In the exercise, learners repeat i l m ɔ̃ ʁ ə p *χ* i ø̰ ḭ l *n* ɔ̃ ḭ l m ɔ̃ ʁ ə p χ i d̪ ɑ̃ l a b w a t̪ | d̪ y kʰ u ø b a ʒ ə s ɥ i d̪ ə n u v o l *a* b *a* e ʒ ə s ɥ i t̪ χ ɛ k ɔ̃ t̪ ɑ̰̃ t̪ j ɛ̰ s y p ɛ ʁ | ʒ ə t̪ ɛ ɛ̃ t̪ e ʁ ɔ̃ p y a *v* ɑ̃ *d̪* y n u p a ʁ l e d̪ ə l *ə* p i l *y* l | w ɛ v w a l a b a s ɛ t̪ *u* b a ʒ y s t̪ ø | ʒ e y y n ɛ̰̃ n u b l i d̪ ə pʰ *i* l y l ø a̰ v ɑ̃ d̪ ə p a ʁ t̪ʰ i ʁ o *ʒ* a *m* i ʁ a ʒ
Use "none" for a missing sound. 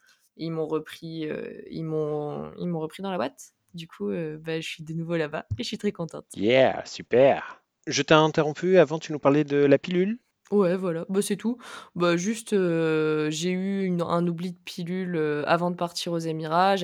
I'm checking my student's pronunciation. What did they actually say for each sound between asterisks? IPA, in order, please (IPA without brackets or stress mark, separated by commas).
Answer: χ, m, a, a, v, t̪, a, y, u, i, z, m